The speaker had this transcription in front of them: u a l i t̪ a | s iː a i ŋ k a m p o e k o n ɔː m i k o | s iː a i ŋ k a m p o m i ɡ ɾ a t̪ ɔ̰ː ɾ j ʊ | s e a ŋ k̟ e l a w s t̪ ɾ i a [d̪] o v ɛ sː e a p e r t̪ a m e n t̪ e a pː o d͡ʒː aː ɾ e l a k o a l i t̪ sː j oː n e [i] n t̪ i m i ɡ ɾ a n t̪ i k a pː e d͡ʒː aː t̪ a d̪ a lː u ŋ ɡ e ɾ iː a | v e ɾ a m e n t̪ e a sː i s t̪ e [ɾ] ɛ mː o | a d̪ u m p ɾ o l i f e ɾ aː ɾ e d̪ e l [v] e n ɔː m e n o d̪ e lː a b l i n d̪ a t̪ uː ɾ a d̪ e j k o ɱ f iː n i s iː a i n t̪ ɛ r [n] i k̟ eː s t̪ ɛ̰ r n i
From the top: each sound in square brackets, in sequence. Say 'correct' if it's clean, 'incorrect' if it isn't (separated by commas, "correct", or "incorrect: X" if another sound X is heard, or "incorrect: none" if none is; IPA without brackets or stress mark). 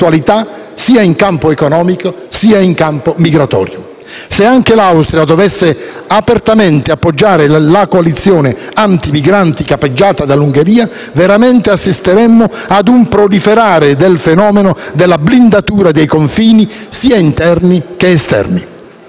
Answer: correct, incorrect: a, correct, incorrect: f, correct